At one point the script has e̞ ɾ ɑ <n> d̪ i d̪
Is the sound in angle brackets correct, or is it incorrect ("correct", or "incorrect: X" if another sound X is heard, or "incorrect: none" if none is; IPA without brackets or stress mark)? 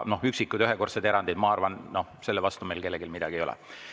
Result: correct